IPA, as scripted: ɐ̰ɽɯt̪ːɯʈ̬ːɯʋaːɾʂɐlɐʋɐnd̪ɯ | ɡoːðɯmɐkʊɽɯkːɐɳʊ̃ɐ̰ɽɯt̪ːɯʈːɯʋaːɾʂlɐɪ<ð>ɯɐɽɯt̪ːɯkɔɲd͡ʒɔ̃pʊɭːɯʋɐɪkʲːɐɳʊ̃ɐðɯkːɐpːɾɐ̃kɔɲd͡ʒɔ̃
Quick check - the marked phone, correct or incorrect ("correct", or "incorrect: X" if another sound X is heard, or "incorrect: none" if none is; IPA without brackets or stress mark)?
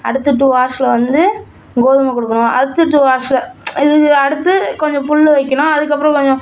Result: correct